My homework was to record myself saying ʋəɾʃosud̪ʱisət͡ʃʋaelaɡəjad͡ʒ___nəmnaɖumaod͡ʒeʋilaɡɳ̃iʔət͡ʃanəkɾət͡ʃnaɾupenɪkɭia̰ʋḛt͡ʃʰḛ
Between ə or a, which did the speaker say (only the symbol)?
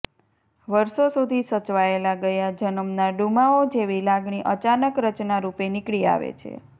ə